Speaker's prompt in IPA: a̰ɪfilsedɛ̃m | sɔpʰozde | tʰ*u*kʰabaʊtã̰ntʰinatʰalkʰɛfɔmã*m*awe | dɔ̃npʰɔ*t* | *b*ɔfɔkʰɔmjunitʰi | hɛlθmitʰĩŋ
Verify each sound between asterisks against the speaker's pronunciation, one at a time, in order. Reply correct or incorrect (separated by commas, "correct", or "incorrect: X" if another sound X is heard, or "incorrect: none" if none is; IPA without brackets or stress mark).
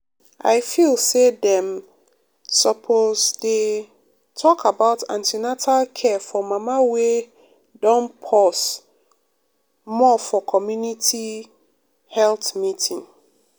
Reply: incorrect: ɔ, correct, incorrect: s, incorrect: m